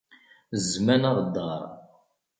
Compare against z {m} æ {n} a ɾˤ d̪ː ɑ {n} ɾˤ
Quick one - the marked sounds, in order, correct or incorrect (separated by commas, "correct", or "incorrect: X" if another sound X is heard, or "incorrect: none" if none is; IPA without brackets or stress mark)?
correct, correct, incorrect: none